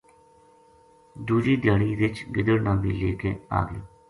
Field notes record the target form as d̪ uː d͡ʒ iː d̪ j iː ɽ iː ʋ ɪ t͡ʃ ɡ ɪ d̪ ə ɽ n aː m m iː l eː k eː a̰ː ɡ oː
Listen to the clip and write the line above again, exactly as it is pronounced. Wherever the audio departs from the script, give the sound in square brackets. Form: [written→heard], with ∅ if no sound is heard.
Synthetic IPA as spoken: d̪ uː d͡ʒ iː d̪ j [iː→aː] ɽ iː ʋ ɪ t͡ʃ ɡ ɪ d̪ ə ɽ n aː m [m→b] iː l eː k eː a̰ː ɡ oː